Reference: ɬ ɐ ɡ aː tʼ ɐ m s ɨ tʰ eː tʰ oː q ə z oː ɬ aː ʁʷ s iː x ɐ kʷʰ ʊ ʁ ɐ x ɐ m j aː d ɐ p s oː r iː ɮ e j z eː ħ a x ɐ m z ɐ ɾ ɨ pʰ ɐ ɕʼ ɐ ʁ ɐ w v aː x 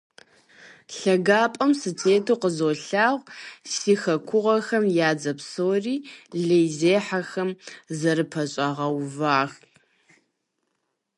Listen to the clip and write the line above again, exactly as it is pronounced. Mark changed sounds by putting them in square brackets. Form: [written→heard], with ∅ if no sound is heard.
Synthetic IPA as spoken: ɬ ɐ ɡ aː [tʼ→pʼ] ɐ m s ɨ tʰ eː tʰ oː q ə z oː ɬ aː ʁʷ s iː x ɐ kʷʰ ʊ ʁ ɐ x ɐ m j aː [d→d͡z] ɐ p s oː r iː ɮ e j z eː ħ a x ɐ m z ɐ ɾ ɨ pʰ ɐ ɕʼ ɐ ʁ ɐ w v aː x